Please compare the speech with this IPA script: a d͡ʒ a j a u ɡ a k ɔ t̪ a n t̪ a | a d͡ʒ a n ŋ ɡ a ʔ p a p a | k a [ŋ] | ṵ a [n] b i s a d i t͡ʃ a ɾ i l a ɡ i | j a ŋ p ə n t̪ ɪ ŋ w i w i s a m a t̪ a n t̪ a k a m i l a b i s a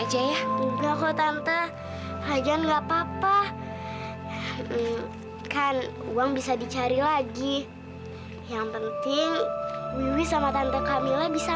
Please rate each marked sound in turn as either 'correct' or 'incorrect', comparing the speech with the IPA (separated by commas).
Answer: incorrect, incorrect